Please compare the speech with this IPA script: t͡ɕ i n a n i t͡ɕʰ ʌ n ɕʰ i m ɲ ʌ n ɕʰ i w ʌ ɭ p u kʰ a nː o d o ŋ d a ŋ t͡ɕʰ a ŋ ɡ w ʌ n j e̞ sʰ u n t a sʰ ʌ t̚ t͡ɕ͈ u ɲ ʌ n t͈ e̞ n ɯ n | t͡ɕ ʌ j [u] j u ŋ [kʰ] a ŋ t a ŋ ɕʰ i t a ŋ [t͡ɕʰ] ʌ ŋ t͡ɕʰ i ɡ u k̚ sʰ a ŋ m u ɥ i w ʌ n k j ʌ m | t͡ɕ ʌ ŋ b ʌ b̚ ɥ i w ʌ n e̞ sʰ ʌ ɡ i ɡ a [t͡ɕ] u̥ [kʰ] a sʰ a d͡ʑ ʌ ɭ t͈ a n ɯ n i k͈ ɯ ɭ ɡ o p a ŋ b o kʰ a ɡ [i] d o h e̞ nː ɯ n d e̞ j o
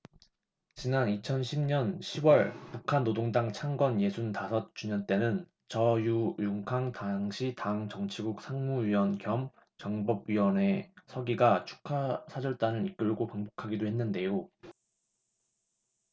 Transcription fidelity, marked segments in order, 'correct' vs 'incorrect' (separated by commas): correct, correct, incorrect, incorrect, correct, correct